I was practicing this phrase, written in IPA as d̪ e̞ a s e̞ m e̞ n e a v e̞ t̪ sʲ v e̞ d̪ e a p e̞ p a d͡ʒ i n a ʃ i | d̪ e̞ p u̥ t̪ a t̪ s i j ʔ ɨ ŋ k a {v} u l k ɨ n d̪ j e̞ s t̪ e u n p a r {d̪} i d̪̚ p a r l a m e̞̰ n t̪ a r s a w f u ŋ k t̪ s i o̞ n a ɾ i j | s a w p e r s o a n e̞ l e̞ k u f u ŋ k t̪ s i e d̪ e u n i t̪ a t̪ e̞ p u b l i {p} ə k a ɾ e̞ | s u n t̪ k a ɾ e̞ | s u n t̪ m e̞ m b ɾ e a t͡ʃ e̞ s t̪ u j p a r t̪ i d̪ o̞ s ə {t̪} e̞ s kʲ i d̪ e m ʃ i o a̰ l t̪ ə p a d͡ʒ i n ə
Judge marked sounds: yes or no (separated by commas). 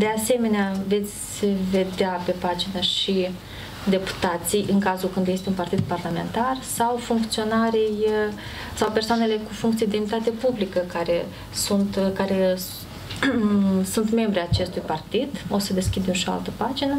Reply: no, no, no, no